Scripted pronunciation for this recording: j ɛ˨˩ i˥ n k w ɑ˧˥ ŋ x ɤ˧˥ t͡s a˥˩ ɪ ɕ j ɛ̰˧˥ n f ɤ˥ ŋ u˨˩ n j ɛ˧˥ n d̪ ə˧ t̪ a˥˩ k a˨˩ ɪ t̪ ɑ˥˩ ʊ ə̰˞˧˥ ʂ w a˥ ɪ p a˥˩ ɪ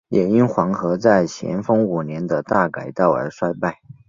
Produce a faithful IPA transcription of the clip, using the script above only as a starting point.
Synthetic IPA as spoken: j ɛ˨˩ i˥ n x w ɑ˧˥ ŋ x ɤ˧˥ t͡s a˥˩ ɪ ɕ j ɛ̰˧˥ n f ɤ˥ ŋ u˨˩ n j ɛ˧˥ n d̪ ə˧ t̪ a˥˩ k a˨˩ ɪ t̪ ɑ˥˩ ʊ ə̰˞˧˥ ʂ w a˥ ɪ p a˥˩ ɪ